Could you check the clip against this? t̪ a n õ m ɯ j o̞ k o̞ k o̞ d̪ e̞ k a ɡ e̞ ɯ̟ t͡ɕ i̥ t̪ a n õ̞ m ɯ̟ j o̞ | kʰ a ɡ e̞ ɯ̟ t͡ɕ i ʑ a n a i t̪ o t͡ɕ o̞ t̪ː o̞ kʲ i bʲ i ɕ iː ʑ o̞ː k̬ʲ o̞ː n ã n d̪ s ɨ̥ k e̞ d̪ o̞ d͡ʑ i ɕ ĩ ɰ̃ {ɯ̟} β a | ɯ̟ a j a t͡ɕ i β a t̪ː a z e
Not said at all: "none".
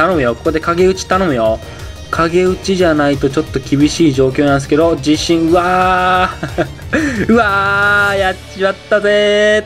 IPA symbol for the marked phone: ɯ̟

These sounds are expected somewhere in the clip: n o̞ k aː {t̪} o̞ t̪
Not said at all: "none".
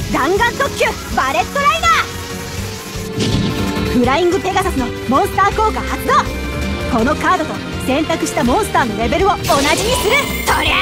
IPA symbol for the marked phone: d̪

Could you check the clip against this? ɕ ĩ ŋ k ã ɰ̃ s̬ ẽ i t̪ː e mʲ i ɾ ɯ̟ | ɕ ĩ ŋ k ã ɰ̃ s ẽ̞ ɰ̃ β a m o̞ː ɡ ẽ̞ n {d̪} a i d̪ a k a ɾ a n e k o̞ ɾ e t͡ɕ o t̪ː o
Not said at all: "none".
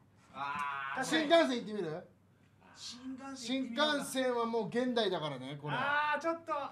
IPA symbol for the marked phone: d̪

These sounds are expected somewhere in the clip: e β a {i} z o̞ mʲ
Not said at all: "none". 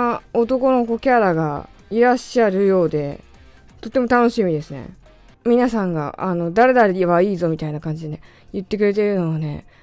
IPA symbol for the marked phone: iː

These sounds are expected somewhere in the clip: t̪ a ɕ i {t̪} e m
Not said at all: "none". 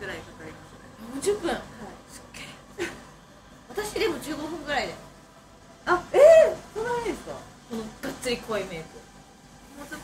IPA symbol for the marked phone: d̪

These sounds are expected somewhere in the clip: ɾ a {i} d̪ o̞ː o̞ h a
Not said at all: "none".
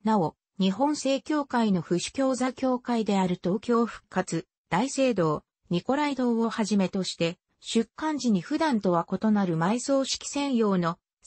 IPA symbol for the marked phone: i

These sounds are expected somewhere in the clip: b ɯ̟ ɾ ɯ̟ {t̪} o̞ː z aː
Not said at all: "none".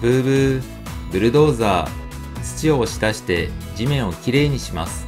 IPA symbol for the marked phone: d̪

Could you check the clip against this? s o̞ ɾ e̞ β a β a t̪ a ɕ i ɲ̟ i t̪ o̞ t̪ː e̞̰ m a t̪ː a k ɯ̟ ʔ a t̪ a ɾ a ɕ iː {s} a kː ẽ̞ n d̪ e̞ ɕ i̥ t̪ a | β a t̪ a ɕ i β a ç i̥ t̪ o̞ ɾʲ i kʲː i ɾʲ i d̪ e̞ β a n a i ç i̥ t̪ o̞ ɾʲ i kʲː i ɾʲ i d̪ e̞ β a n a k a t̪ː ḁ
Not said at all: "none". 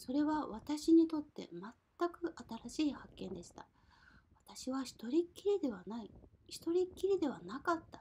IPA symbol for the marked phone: h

